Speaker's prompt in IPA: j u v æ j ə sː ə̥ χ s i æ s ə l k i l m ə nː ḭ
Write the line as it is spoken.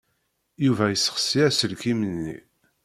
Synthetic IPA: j u v æ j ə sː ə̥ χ s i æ s ə l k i m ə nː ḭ